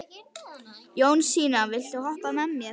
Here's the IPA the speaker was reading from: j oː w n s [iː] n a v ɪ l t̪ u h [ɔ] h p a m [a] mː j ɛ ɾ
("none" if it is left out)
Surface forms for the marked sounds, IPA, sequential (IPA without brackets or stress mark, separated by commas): iː, ɔ, ɛ